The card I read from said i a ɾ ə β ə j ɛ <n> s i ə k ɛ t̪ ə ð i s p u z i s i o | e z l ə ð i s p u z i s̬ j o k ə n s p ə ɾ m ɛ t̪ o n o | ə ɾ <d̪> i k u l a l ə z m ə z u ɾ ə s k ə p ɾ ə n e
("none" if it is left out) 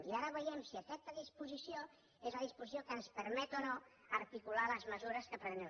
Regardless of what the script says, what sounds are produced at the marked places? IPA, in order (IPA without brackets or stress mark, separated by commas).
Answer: m, t̪